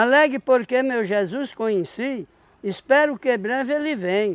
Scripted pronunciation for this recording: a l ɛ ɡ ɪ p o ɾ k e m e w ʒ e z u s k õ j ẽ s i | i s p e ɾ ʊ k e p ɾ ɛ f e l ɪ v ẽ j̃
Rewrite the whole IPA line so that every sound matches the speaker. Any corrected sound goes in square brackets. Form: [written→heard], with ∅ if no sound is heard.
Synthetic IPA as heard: a l ɛ ɡ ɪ p o ɾ k e m e w ʒ e z u s k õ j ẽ s i | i s p [e→ɛ] ɾ ʊ k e [p→b] ɾ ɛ [f→v] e l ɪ v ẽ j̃